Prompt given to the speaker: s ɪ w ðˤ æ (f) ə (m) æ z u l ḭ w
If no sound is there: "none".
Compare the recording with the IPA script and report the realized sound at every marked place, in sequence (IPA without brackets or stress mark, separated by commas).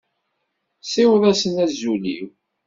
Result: s, n